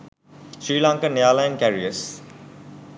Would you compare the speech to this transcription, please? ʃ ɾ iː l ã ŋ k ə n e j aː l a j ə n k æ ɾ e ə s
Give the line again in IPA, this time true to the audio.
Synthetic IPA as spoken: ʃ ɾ iː l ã ŋ k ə n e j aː l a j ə n k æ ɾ i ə s